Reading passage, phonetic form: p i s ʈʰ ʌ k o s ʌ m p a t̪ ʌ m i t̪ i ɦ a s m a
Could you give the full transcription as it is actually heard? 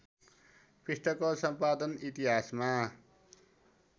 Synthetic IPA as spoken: p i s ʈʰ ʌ k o s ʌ m p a d̪ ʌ n i t̪ i ɦ a s m a